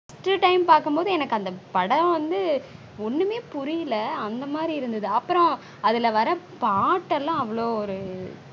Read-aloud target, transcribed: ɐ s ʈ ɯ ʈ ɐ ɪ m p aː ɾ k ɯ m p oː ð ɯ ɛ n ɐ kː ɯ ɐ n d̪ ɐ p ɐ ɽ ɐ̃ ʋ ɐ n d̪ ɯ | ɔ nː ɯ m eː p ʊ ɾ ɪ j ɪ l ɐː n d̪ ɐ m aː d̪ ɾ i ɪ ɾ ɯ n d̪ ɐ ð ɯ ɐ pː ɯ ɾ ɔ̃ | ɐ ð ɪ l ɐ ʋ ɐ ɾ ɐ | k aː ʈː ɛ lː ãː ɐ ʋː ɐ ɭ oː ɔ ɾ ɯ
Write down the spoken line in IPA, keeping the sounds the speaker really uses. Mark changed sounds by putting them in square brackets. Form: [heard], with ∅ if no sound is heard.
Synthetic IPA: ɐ s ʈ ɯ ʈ ɐ ɪ m p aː ɾ k ɯ m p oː ð ɯ ɛ n ɐ kː ɯ ɐ n d̪ ɐ p ɐ ɽ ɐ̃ ʋ ɐ n d̪ ɯ | ɔ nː ɯ m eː p ʊ ɾ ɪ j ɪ l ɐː n d̪ ɐ m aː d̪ ɾ i ɪ ɾ ɯ n d̪ ɐ ð ɯ ɐ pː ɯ ɾ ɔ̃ | ɐ ð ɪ l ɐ ʋ ɐ ɾ ɐ | [p] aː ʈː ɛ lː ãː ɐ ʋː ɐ ɭ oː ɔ ɾ ɯ